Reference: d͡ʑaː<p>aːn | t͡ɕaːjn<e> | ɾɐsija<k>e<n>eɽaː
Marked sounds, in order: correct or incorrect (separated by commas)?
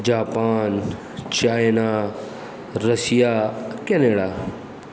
correct, incorrect, correct, correct